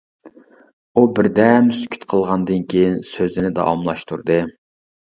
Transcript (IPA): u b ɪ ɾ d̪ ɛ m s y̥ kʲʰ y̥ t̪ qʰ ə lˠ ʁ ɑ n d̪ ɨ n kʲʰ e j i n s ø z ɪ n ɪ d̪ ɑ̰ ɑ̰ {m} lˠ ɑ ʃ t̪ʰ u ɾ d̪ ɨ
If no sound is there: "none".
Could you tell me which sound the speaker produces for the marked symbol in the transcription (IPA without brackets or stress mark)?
m